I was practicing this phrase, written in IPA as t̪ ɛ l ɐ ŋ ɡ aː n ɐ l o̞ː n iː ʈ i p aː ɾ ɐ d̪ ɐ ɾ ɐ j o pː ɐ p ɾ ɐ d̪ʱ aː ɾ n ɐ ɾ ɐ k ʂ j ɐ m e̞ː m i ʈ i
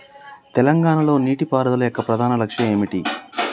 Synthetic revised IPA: t̪ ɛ l ɐ ŋ ɡ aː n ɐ l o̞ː n iː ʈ i p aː ɾ ɐ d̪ ɐ l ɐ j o kː ɐ p ɾ ɐ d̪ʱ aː n ɐ l ɐ k ʂ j ɐ m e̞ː m i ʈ i

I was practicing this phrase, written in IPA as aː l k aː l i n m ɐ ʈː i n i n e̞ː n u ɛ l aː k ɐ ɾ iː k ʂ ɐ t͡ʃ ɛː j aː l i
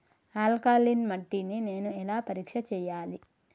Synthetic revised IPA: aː l k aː l i n m ɐ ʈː i n i n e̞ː n u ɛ l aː p ɐ ɾ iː k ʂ ɐ t͡ʃ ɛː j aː l i

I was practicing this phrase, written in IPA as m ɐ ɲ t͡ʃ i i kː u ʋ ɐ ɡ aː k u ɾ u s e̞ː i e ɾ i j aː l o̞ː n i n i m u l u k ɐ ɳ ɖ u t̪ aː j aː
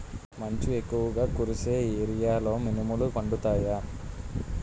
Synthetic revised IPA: m ɐ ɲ t͡ʃ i e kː u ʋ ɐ ɡ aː k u ɾ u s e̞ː i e ɾ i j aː l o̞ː m i n i m u l u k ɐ ɳ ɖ u t̪ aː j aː

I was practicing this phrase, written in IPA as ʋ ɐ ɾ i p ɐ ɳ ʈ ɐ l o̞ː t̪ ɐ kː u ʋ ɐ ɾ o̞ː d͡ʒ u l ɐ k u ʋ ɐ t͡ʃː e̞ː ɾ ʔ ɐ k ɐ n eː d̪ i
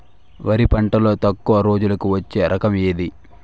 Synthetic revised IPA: ʋ ɐ ɾ i p ɐ ɳ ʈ ɐ l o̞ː t̪ ɐ kː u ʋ ɐ ɾ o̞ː d͡ʒ u l ɐ k u ʋ ɐ t͡ʃː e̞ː ɾ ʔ ɐ k ɐ m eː d̪ i

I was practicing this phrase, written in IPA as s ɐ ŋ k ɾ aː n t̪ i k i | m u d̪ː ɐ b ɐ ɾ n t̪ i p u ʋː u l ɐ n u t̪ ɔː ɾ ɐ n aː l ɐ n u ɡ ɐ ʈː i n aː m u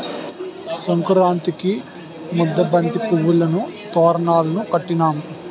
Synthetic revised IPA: s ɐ ŋ k ɾ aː n t̪ i k i | m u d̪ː ɐ b ɐ n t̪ i p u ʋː u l ɐ n u t̪ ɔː ɾ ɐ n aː l ɐ n u k ɐ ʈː i n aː m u

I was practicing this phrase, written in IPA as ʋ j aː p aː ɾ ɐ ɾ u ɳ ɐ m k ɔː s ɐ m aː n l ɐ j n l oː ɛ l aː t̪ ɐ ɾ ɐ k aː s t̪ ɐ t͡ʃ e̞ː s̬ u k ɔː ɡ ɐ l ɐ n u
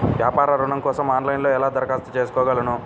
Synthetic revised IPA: ʋ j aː p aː ɾ ɐ ɾ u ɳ ɐ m k ɔː s ɐ m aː n l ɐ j n l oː ɛ l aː d̪ ɐ ɾ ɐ k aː s t̪ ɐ t͡ʃ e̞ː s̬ u k ɔː ɡ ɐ l ɐ n u

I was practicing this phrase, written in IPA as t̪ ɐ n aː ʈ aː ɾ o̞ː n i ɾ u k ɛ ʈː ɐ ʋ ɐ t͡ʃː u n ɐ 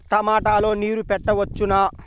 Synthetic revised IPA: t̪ ɐ m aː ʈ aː l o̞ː n iː ɾ u p ɛ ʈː ɐ ʋ ɐ t͡ʃː u n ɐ

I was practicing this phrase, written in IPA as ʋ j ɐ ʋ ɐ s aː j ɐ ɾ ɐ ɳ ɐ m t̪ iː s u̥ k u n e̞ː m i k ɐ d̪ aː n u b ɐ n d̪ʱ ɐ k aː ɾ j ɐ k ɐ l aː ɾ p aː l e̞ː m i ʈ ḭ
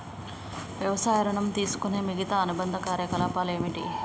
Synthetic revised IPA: ʋ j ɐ ʋ ɐ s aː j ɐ ɾ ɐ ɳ ɐ m t̪ iː s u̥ k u n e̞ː m i ɡ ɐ t̪ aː n u b ɐ n d̪ʱ ɐ k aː ɾ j ɐ k ɐ l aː p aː l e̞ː m i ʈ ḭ

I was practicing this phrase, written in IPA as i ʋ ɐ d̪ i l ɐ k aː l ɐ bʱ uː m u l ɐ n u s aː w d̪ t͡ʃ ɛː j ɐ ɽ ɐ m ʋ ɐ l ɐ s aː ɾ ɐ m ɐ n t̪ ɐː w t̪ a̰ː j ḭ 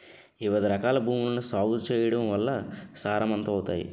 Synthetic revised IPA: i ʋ ɐ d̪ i ɾ ɐ k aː l ɐ bʱ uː m u l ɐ n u s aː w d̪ t͡ʃ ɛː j ɐ ɽ ɐ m ʋ ɐ lː ɐ s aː ɾ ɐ m ɐ n t̪ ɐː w t̪ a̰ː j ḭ

